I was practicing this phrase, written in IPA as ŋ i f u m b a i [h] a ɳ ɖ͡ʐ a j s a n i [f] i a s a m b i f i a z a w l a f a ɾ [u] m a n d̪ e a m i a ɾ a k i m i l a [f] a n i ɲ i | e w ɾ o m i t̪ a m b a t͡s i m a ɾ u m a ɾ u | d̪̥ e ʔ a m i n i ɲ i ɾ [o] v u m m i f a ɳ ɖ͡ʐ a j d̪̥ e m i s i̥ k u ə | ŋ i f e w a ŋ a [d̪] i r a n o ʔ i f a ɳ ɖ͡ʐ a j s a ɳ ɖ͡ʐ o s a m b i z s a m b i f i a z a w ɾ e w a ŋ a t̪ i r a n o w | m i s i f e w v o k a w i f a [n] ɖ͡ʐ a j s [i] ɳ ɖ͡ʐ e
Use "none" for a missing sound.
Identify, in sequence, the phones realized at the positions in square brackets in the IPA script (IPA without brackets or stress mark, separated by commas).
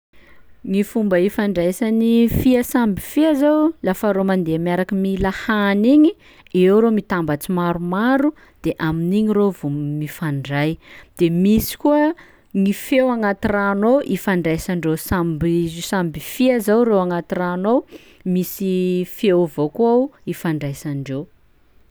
f, f, o, h, o, t̪, ɳ, a